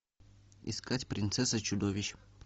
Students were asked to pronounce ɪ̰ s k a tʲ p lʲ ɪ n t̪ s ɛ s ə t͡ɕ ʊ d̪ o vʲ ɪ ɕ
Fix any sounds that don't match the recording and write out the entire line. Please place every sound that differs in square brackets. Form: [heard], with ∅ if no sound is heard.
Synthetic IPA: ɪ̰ s k a tʲ p [ɾʲ] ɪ n t̪ s ɛ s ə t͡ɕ ʊ d̪ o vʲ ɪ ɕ